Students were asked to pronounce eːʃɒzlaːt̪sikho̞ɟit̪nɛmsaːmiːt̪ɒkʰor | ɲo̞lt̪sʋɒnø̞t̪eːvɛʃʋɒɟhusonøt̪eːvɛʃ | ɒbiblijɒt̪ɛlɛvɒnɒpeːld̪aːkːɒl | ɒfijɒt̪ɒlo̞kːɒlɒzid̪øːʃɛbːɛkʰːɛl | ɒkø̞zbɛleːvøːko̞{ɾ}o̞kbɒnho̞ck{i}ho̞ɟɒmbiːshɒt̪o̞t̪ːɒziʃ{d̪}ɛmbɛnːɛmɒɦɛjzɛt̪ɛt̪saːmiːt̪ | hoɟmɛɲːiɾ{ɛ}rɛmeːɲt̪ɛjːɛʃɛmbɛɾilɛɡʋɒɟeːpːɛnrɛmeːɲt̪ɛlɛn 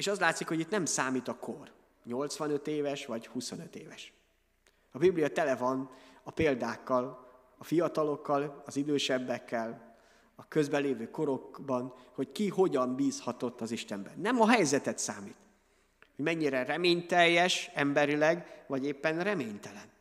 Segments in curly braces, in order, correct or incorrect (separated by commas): correct, correct, incorrect, correct